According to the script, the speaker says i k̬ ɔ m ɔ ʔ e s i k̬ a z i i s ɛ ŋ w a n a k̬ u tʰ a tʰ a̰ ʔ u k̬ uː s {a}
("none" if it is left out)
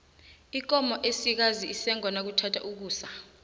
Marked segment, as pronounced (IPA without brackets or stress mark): a